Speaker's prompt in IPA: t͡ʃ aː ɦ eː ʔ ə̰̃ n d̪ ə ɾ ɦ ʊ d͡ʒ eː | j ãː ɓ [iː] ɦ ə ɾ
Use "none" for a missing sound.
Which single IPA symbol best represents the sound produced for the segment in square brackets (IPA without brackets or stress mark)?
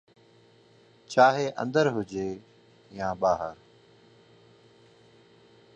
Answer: aː